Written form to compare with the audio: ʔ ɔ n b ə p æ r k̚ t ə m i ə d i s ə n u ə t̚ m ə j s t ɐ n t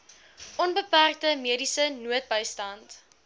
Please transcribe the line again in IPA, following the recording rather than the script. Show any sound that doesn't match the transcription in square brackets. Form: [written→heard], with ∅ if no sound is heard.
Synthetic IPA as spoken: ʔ ɔ n b ə p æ r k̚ t ə m i ə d i s ə n u ə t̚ [m→b] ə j s t ɐ n t